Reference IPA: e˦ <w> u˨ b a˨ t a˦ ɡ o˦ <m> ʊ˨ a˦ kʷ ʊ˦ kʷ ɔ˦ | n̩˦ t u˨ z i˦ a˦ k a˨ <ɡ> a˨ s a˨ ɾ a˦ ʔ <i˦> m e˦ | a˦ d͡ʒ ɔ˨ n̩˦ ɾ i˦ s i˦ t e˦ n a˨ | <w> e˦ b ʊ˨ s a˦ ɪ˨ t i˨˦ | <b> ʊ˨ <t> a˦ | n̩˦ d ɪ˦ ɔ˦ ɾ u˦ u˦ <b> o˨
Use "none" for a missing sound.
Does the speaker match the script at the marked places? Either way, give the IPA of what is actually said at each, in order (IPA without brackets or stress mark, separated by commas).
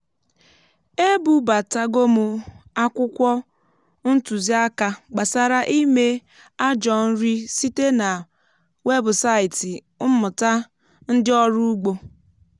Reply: b, m, ɡ͡b, i˦, w, m, t, ɡ͡b